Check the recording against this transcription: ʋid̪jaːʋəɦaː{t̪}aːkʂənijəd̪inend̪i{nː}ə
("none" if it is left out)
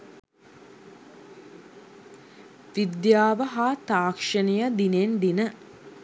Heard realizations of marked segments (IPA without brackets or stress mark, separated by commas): t̪, n